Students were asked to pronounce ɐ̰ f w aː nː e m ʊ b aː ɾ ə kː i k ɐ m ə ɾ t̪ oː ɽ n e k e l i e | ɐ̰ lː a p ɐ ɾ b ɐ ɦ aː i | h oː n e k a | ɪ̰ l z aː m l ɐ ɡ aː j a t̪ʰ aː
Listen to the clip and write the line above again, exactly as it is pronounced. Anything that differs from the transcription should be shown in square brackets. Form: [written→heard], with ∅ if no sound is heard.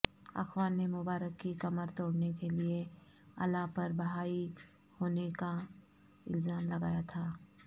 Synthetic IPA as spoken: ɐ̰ [f→x] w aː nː e m ʊ b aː ɾ ə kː i k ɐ m ə ɾ t̪ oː ɽ n e k e l i e | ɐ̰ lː a p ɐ ɾ b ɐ ɦ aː i | h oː n e k a | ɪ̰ l z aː m l ɐ ɡ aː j a t̪ʰ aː